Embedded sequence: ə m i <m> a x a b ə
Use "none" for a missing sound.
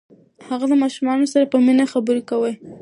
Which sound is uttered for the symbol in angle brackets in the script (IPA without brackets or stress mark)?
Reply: n